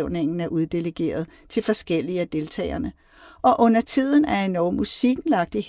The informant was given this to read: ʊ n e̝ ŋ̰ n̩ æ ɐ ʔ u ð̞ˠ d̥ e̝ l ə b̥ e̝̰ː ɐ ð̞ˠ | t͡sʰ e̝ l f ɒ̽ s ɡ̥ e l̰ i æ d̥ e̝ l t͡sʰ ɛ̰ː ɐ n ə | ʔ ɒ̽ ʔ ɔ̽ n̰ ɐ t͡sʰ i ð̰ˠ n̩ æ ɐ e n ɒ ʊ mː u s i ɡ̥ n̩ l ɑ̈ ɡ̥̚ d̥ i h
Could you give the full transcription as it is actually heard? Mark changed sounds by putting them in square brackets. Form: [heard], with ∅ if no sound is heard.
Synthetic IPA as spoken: ʊ n e̝ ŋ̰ n̩ æ ɐ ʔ u ð̞ˠ d̥ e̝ l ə [ɡ̥] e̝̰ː ɐ ð̞ˠ | t͡sʰ e̝ l f ɒ̽ s ɡ̥ e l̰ i æ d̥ e̝ l t͡sʰ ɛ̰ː ɐ n ə | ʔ ɒ̽ ʔ ɔ̽ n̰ ɐ t͡sʰ i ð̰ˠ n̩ æ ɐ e n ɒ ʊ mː u s i ɡ̥ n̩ l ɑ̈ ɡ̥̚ d̥ i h